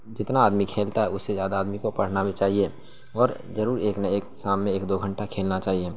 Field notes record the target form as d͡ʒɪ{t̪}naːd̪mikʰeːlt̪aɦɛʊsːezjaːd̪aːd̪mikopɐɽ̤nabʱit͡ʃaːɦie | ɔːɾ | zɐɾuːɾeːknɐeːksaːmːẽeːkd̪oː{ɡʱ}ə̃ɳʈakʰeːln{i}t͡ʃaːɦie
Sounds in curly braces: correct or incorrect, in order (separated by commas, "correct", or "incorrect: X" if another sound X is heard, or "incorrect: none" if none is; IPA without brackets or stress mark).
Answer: correct, correct, incorrect: a